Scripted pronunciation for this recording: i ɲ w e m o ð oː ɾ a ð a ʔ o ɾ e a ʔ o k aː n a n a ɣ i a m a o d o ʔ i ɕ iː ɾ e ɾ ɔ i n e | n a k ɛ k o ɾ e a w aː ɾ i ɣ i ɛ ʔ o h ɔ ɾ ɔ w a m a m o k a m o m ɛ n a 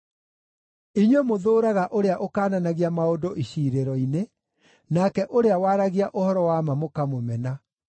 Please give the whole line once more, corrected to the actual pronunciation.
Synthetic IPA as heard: i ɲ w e m o ð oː ɾ a ɣ a ʔ o ɾ e a ʔ o k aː n a n a ɣ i a m a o d o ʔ i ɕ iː ɾ e ɾ ɔ i n e | n a k ɛ ʔ o ɾ e a w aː ɾ a ɣ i a ʔ o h ɔ ɾ ɔ w a m a m o k a m o m ɛ n a